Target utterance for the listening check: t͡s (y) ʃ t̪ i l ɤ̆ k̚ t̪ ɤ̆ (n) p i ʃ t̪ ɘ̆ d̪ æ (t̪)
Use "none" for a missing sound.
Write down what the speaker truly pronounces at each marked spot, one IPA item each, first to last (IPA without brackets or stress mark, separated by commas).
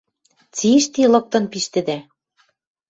i, n, none